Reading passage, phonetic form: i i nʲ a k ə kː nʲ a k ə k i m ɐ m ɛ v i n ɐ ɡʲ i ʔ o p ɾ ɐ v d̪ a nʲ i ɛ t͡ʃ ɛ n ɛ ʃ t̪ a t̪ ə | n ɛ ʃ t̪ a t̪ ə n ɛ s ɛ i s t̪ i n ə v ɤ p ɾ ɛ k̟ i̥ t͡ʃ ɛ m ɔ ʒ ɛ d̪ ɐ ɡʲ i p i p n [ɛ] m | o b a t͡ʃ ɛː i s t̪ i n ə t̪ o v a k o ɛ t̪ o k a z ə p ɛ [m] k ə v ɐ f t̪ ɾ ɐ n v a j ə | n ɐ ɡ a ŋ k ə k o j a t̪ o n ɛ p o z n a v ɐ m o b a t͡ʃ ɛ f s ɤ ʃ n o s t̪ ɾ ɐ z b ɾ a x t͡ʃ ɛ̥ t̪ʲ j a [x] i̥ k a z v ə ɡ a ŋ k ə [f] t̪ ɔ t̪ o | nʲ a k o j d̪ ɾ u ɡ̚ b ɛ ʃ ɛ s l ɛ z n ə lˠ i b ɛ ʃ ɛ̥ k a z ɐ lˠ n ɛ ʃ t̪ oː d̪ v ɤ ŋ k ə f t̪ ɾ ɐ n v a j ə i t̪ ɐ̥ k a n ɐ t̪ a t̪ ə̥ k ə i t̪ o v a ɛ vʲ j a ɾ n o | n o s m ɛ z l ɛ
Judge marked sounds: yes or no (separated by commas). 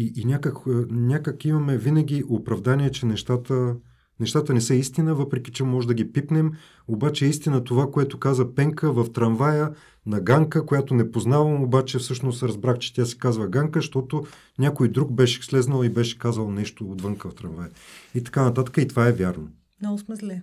yes, no, no, no